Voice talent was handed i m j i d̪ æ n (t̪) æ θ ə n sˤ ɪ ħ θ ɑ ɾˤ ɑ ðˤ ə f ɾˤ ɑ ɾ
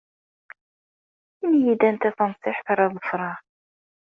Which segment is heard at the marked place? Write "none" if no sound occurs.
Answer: t̪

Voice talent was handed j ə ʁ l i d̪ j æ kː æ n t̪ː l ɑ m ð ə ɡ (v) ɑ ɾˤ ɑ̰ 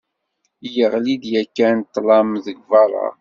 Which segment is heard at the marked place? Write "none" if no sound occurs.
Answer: v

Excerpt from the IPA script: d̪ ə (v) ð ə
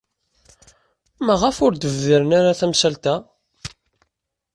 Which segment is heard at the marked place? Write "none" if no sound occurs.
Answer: v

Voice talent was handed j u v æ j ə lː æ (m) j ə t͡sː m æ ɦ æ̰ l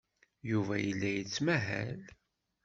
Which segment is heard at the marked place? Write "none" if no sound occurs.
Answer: none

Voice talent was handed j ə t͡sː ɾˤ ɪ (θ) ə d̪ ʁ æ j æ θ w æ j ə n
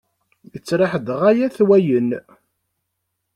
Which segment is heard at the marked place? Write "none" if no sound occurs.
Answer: ħ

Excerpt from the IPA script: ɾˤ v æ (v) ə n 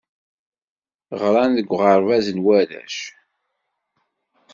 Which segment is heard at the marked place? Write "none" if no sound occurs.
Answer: z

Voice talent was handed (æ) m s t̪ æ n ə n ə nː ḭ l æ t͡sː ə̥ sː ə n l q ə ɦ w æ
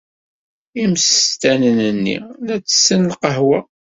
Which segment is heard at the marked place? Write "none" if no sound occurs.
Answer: i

